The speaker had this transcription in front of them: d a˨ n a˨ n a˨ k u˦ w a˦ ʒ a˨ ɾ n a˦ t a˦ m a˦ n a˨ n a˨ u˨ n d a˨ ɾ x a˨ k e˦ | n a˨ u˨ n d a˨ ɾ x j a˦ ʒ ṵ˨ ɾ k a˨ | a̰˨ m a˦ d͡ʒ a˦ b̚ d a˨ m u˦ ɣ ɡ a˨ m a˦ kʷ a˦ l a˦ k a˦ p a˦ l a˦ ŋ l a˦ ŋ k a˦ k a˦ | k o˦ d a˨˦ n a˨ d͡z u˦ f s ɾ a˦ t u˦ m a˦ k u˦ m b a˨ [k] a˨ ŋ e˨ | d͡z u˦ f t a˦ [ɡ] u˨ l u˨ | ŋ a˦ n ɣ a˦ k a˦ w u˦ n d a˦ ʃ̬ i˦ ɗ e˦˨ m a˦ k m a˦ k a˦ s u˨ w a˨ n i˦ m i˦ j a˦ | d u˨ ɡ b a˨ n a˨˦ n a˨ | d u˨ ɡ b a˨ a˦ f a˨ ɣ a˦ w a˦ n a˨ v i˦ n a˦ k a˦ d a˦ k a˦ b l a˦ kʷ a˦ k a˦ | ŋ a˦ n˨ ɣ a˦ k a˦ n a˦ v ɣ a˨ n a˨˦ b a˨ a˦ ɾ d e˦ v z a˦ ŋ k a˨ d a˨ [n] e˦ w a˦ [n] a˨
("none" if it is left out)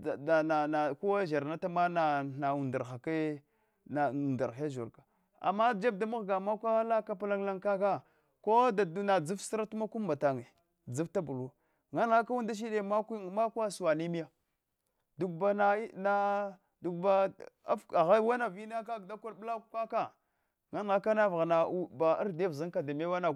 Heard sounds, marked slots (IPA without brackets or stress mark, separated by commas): t, b, m, n